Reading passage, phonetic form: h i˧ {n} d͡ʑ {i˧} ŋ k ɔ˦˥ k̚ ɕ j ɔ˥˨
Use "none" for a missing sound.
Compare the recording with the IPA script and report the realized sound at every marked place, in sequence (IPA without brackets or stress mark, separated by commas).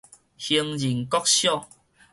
ŋ, i˨˩